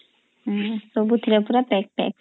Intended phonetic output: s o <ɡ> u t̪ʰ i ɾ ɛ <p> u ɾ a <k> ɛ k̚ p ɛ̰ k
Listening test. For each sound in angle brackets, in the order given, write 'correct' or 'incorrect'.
incorrect: b, correct, incorrect: p

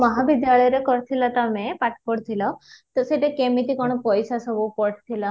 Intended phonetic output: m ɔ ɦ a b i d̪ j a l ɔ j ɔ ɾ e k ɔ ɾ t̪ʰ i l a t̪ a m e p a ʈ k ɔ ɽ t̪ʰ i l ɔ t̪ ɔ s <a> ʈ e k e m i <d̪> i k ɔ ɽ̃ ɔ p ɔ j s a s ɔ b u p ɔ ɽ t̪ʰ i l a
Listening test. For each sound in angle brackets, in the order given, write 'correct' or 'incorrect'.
incorrect: e, incorrect: t̪

